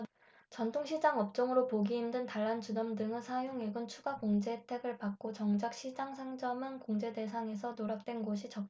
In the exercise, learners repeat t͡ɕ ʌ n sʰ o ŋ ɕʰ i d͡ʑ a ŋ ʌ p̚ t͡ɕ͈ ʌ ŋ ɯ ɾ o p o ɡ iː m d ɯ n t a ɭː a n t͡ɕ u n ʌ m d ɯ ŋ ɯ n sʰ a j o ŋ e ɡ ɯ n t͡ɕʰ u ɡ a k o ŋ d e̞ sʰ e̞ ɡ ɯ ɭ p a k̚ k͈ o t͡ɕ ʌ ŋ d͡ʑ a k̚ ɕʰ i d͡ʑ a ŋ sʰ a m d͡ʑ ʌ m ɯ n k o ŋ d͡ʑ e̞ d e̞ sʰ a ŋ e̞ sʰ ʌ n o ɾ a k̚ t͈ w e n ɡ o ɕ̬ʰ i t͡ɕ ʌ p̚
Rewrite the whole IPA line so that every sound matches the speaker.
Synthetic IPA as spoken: t͡ɕ ʌ n tʰ o ŋ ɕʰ i d͡ʑ a ŋ ʌ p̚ t͡ɕ͈ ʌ ŋ ɯ ɾ o p o ɡ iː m d ɯ n t a ɭː a n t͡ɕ u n ʌ m d ɯ ŋ ɯ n sʰ a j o ŋ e ɡ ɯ n t͡ɕʰ u ɡ a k o ŋ d͡ʑ e̞ tʰ e̞ ɡ ɯ ɭ p a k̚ k͈ o t͡ɕ ʌ ŋ d͡ʑ a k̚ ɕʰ i d͡ʑ a ŋ sʰ a ŋ d͡ʑ ʌ m ɯ n k o ŋ d͡ʑ e̞ d e̞ sʰ a ŋ e̞ sʰ ʌ n o ɾ a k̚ t͈ w e n ɡ o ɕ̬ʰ i t͡ɕ ʌ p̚